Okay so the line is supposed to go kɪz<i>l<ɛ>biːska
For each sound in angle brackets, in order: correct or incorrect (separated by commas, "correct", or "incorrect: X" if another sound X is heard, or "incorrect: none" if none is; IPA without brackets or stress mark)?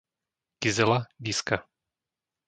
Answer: incorrect: ɛ, incorrect: a